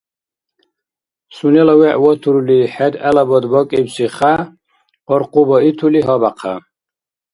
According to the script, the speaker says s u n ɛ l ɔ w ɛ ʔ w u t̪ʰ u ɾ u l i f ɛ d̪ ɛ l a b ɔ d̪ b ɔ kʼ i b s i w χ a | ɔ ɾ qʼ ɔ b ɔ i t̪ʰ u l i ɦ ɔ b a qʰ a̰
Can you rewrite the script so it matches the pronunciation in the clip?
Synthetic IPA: s u n ɛ l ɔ w ɛ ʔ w ɔ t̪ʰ u ɾ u l i ħ ɛ d̪ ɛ l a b ɔ d̪ b ɔ kʼ i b s i χ a | ɔ ɾ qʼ u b ɔ i t̪ʰ u l i ɦ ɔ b a qʰ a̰